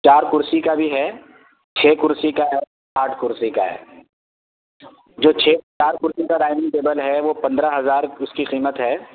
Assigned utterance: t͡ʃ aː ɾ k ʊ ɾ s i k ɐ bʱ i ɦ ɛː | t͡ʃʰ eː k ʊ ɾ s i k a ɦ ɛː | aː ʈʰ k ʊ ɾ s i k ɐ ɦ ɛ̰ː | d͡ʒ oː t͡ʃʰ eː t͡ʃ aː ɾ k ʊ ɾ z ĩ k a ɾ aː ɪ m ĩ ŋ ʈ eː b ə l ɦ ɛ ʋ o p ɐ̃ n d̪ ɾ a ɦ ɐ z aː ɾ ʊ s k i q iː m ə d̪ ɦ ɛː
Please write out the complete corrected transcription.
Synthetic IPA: t͡ʃ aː ɾ k ʊ ɾ s i k a bʱ i ɦ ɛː | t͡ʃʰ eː k ʊ ɾ s i k a ɦ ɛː | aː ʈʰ k ʊ ɾ s i k a ɦ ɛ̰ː | d͡ʒ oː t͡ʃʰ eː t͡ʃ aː ɾ k ʊ ɾ s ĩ k a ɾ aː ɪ m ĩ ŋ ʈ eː b ə l ɦ ɛ ʋ o p ɐ̃ n d̪ ɾ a ɦ ɐ z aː ɾ ʊ s k i q iː m ə t̪ ɦ ɛː